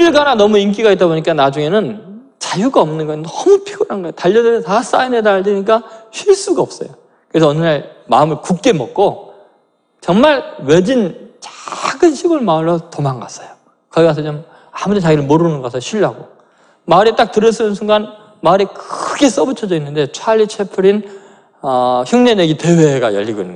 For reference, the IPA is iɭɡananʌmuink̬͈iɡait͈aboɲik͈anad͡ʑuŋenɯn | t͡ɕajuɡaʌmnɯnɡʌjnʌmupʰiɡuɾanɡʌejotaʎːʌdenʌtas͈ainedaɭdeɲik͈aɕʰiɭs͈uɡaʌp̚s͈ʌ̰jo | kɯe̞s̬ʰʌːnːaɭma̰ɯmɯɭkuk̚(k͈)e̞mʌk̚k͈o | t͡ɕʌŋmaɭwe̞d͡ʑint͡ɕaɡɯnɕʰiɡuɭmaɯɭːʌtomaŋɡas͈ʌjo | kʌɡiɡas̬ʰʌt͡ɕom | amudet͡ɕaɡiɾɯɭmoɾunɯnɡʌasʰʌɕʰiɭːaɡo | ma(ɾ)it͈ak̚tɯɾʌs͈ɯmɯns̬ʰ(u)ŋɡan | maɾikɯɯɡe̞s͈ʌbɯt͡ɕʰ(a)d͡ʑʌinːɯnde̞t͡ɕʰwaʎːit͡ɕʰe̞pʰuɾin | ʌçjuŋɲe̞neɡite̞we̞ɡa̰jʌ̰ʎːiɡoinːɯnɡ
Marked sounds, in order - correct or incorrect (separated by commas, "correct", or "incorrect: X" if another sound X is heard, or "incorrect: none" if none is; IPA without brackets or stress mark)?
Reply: correct, correct, correct, incorrect: ʌ